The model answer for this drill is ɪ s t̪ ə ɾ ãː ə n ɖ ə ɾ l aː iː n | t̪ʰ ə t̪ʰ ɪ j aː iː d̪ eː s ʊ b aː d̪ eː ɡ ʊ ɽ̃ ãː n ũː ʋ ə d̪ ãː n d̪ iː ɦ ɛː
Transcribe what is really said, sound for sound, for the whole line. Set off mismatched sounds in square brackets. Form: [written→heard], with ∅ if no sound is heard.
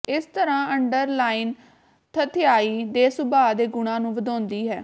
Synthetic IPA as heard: ɪ s t̪ ə ɾ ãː ə [n→ɳ] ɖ ə ɾ l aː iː n | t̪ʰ ə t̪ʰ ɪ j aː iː d̪ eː s ʊ b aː d̪ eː ɡ ʊ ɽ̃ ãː n ũː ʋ ə d̪ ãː n d̪ iː ɦ ɛː